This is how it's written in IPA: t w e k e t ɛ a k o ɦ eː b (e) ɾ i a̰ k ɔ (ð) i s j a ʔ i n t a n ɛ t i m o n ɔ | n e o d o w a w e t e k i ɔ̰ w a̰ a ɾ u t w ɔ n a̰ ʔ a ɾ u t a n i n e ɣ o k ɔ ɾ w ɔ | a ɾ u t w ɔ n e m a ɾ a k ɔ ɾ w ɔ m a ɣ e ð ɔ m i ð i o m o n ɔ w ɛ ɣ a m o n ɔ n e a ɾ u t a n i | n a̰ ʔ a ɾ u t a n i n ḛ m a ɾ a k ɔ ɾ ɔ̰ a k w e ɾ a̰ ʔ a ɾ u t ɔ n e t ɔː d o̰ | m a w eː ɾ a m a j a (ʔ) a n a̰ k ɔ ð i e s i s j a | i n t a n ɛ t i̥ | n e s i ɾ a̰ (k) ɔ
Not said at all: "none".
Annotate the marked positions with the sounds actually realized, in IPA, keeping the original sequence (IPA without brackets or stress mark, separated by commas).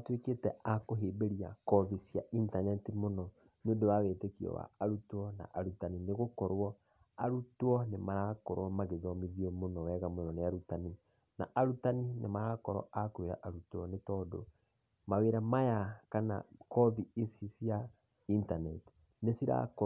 e, ð, k, k